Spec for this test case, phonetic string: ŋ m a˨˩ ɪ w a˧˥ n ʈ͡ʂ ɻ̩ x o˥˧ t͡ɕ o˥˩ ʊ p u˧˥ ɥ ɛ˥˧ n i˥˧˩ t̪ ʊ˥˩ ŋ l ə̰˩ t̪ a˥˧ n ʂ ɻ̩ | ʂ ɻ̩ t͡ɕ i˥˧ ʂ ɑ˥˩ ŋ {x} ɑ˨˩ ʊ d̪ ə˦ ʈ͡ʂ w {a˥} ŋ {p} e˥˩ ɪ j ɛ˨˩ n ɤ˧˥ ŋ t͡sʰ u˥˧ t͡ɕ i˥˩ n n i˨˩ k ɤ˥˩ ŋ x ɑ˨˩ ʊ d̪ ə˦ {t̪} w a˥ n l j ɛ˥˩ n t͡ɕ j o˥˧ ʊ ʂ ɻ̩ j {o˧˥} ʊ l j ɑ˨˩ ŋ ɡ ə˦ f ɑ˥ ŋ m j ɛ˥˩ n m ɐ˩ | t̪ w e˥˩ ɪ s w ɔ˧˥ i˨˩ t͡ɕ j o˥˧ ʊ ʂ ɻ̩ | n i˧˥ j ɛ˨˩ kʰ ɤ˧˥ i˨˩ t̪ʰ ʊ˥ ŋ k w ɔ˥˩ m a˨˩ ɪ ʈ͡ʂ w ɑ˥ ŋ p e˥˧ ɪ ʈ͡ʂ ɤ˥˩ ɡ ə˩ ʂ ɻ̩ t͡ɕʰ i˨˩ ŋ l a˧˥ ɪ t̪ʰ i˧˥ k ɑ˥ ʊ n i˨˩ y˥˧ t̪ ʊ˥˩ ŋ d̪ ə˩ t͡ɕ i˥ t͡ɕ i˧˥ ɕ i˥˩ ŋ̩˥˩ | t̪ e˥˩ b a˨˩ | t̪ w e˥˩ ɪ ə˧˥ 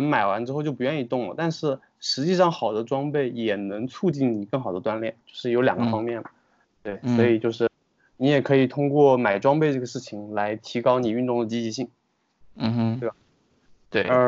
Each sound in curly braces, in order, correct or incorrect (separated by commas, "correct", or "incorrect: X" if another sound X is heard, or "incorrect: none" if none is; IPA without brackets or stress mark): correct, incorrect: ɑ˥, correct, correct, correct